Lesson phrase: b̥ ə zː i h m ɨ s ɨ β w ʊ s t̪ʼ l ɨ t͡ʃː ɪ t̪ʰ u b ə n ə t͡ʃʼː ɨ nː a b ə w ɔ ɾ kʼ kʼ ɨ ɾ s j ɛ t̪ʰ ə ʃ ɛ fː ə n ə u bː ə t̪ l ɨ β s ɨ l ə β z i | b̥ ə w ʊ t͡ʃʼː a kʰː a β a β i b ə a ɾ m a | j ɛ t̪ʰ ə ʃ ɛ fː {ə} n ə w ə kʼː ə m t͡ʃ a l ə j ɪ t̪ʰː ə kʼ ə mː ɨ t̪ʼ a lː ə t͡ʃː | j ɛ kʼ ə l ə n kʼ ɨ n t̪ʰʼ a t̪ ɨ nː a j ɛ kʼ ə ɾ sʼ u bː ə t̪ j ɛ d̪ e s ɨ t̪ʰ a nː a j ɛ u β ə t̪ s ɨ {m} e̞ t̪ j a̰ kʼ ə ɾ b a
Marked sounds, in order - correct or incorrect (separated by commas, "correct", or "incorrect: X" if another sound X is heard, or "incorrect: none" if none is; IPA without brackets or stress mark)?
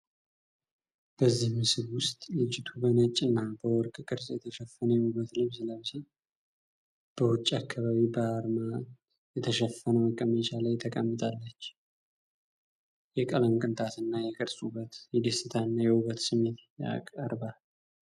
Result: correct, correct